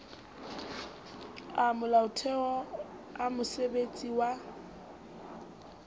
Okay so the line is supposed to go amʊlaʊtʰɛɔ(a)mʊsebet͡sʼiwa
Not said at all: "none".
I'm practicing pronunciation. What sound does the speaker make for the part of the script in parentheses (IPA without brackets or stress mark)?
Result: a